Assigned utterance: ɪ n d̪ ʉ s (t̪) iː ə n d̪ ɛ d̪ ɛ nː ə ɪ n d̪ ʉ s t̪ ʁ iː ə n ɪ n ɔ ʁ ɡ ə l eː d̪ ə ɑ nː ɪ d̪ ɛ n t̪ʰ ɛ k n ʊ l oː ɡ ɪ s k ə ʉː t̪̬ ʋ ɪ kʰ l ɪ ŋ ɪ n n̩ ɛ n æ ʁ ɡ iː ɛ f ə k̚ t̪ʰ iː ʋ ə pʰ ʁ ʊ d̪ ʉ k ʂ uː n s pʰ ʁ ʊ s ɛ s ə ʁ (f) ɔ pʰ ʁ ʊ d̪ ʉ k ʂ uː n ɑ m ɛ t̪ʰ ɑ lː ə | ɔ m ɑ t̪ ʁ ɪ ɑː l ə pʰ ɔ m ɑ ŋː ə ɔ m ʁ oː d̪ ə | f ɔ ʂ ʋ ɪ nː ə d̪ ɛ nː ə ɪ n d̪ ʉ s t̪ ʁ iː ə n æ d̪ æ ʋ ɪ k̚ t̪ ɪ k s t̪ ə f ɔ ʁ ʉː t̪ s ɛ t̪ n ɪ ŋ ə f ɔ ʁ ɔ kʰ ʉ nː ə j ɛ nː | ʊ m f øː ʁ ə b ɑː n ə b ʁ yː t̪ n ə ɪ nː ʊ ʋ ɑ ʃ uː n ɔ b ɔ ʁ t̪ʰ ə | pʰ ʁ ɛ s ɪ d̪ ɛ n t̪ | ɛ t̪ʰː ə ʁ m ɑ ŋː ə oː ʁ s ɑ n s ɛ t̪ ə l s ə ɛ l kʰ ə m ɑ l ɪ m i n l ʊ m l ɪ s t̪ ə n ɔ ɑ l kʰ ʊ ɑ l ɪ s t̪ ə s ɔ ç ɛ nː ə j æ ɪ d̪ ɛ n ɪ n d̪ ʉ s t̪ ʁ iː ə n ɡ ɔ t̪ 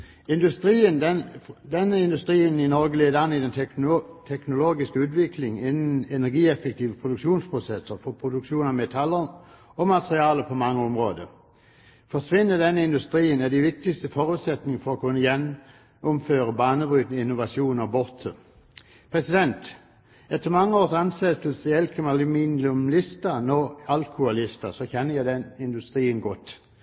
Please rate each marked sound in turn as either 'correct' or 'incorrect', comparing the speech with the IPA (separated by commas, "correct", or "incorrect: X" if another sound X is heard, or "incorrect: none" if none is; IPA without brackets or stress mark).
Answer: correct, correct